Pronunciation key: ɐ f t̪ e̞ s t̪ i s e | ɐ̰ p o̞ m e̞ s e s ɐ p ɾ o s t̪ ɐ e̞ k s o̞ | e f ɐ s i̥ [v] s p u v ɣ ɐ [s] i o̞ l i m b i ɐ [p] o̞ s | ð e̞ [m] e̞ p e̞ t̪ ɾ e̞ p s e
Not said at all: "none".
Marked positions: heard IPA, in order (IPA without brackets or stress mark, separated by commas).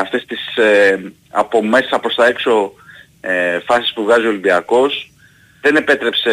none, z, k, n